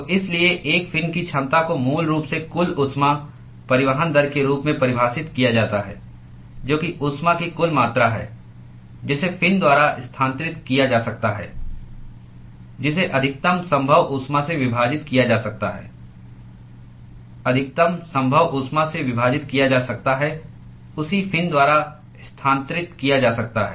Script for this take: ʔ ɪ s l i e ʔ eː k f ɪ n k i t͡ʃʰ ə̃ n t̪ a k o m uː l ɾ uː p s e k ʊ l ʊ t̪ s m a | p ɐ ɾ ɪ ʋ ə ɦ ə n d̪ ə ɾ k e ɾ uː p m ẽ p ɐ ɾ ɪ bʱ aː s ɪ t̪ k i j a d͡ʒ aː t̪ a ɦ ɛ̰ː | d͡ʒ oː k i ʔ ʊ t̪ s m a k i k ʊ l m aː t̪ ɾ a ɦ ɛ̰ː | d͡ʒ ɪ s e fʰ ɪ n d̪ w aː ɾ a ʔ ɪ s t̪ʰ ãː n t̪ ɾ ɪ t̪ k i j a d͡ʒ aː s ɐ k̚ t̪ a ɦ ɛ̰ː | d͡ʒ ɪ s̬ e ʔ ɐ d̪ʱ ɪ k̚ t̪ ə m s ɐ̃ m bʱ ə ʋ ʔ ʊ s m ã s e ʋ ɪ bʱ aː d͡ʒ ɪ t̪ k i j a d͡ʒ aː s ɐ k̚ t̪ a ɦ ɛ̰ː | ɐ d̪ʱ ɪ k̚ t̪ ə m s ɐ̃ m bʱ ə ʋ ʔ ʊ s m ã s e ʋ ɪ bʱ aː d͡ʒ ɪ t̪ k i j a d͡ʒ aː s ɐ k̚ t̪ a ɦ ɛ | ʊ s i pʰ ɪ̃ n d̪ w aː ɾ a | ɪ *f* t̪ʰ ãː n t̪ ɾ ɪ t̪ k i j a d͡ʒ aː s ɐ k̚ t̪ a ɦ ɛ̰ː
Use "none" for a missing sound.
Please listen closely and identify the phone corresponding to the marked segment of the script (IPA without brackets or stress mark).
s